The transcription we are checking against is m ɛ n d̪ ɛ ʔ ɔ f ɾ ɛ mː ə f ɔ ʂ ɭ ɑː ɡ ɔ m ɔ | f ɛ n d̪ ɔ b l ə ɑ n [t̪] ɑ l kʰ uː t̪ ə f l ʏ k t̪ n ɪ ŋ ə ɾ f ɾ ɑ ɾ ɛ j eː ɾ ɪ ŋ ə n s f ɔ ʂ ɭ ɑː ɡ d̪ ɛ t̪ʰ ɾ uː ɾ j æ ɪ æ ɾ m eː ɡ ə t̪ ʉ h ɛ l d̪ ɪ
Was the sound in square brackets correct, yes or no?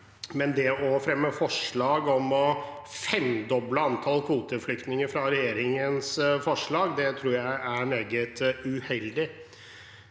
no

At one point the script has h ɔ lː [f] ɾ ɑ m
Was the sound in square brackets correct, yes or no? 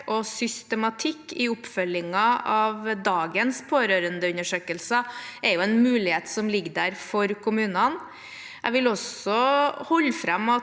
yes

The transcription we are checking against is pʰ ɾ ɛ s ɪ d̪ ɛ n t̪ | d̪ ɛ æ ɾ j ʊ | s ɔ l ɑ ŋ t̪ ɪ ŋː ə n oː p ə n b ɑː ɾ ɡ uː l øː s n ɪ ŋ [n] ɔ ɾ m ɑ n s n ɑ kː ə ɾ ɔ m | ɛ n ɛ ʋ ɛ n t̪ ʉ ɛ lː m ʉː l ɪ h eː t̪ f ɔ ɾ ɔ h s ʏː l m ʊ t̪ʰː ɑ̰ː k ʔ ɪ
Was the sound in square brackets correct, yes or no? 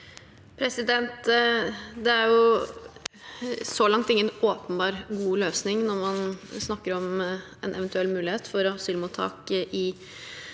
yes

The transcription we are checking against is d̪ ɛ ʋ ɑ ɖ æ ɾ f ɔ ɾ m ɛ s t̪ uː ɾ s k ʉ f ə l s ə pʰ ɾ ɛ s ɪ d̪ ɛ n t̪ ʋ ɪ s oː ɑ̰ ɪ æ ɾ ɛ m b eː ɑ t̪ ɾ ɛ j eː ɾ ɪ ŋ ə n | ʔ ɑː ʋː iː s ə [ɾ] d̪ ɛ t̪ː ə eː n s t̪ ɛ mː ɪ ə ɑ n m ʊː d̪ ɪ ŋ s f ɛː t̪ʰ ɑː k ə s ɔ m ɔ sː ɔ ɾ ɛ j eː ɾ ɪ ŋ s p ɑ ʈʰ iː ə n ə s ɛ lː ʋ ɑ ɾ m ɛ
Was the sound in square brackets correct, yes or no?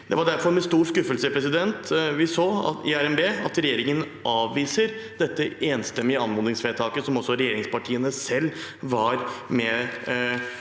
yes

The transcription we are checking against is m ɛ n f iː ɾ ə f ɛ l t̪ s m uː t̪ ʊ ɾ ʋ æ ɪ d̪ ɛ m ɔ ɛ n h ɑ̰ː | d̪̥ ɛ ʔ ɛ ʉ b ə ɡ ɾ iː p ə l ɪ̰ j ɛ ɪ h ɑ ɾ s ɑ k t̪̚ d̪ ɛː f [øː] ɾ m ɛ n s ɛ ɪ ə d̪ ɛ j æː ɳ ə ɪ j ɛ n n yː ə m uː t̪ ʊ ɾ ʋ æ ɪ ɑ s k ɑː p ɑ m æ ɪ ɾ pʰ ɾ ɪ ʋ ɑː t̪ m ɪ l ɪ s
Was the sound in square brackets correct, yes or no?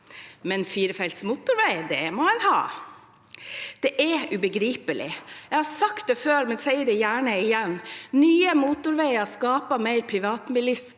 yes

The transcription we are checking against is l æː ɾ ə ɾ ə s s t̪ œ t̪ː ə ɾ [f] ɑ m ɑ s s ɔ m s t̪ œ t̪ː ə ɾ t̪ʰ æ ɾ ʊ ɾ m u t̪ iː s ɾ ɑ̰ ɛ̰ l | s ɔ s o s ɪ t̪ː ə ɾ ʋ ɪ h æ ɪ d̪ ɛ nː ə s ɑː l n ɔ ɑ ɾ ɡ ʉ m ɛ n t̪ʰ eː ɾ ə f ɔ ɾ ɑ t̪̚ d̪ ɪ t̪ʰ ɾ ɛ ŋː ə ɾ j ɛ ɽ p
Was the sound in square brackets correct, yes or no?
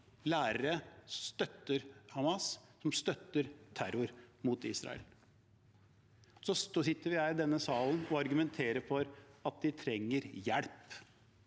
no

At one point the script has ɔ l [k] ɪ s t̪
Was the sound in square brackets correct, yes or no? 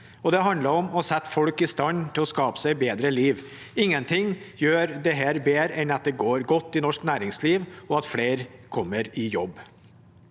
yes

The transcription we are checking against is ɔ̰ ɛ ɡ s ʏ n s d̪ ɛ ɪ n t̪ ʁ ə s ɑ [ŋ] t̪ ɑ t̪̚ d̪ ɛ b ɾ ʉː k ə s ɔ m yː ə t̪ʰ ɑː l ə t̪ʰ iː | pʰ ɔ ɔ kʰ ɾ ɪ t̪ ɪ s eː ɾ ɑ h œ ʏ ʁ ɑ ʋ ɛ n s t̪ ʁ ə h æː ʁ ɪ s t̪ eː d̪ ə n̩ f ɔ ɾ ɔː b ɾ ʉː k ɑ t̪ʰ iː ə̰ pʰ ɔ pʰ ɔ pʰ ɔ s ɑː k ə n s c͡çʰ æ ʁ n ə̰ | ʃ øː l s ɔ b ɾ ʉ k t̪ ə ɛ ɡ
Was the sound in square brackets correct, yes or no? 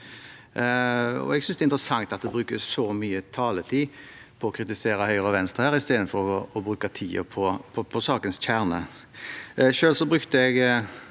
yes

